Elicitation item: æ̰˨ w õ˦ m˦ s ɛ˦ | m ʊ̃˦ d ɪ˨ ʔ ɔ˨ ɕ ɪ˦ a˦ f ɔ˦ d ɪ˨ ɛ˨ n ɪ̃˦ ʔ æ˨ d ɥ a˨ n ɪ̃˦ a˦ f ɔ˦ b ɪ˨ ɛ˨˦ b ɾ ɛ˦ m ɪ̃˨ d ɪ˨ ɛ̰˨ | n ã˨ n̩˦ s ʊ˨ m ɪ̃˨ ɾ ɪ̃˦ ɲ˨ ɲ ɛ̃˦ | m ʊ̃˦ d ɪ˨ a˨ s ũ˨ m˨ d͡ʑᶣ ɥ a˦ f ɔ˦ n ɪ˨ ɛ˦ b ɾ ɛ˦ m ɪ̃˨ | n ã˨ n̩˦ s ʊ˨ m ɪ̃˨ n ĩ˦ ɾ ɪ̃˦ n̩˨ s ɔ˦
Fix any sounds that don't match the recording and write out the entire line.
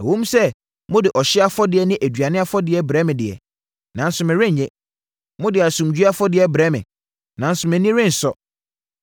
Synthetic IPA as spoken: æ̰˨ w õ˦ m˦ s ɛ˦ | m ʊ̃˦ d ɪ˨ ʔ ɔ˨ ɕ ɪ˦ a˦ f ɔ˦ d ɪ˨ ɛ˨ n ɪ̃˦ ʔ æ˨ d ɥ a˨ n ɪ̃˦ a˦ f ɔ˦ d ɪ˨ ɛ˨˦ b ɾ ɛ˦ m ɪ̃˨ d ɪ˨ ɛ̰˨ | n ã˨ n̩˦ s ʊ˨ m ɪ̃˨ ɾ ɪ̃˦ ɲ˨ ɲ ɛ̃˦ | m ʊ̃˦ d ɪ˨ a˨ s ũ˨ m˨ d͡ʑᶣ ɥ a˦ f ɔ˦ d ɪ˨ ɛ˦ b ɾ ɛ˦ m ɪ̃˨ | n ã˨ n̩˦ s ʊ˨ m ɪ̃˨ n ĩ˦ ɾ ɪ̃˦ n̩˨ s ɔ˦